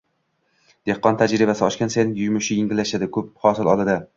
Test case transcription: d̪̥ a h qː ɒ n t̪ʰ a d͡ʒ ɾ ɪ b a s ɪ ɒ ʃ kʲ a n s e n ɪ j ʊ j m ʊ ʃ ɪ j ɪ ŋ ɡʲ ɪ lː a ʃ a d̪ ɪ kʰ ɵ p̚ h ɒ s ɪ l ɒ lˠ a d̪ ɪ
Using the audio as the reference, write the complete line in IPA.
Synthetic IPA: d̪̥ e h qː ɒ n t̪ʰ a d͡ʒ ɾ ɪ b a s ɪ ɒ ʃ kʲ a n s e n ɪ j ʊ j m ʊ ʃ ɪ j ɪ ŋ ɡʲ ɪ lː a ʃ a d̪ ɪ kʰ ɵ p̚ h ɒ s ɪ l ɒ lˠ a d̪ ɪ